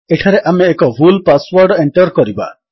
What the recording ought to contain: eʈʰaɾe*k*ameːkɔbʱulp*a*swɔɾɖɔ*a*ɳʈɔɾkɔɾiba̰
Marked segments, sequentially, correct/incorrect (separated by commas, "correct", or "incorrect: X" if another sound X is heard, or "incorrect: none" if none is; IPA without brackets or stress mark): incorrect: ʔ, correct, incorrect: e